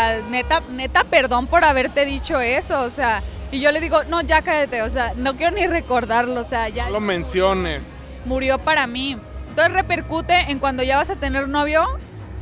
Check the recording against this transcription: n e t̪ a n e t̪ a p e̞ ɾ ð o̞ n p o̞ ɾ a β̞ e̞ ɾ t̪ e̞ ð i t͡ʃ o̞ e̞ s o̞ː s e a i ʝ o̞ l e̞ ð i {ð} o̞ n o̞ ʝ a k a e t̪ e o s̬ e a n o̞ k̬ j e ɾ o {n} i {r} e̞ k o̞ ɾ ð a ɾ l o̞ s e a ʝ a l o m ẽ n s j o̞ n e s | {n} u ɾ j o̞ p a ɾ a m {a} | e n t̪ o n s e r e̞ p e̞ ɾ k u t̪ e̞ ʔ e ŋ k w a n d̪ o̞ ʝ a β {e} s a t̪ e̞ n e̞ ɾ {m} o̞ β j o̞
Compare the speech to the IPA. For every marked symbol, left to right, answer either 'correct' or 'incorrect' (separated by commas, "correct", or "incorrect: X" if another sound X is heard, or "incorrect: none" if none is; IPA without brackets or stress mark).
incorrect: ɣ, correct, correct, incorrect: m, incorrect: i, incorrect: a, incorrect: n